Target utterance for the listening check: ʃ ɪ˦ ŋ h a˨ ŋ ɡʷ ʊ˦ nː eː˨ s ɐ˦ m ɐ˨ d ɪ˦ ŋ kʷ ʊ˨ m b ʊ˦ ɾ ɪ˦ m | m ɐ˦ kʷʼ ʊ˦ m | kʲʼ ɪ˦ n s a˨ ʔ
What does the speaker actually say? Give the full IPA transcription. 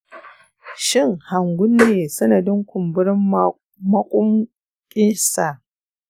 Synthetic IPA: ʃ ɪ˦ ŋ h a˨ ŋ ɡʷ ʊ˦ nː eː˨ s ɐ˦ n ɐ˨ d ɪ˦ ŋ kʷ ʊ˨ m b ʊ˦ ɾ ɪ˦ m | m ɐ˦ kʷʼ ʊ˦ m | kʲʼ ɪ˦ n s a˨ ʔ